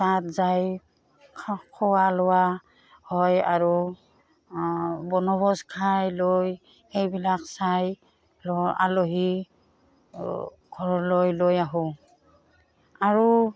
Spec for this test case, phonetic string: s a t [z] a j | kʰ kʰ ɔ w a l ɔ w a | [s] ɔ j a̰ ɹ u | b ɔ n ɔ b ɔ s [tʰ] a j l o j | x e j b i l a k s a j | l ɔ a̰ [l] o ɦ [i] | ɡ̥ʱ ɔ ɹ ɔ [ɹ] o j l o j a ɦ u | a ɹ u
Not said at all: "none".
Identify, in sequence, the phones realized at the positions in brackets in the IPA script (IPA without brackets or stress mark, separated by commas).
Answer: z, h, kʰ, l, i, l